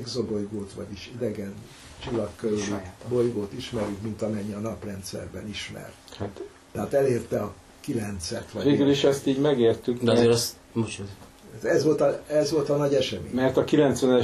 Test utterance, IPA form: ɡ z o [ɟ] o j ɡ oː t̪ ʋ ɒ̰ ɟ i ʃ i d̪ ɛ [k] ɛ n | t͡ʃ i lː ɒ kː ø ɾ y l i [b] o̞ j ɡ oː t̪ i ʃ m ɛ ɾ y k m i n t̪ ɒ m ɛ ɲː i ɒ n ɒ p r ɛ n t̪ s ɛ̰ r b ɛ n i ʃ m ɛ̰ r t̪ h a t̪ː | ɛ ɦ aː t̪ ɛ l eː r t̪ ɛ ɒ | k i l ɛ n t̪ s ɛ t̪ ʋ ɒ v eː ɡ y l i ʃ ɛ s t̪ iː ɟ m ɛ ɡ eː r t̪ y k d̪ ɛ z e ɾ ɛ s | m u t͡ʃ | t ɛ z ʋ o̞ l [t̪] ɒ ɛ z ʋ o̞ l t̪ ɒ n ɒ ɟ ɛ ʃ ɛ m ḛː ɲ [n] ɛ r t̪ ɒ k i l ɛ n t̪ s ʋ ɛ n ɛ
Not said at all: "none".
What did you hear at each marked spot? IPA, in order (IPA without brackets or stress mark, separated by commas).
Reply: b, ɡ, b, t̪, m